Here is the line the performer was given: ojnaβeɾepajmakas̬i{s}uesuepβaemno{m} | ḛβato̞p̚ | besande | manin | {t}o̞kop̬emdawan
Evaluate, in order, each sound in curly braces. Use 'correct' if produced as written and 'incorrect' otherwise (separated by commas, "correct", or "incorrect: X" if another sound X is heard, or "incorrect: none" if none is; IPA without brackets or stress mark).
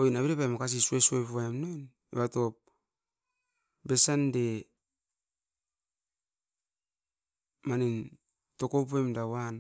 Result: correct, incorrect: n, correct